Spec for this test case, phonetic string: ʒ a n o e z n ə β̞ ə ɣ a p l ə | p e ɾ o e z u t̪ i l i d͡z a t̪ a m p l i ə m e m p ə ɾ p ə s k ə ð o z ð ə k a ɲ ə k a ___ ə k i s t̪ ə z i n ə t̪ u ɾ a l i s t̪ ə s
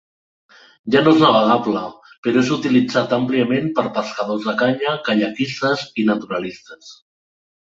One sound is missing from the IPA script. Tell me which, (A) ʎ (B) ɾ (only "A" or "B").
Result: A